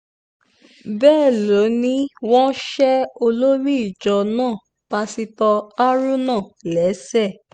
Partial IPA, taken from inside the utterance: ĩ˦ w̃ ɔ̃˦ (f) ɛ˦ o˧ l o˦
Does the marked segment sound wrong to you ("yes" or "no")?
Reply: yes